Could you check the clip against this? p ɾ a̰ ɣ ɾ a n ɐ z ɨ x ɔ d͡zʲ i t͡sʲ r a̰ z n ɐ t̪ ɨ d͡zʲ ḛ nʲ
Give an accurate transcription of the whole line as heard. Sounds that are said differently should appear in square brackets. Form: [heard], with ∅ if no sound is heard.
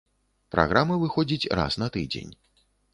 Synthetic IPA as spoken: p ɾ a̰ ɣ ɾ a [m] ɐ [v] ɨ x ɔ d͡zʲ i t͡sʲ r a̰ [s] n ɐ t̪ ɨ d͡zʲ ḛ nʲ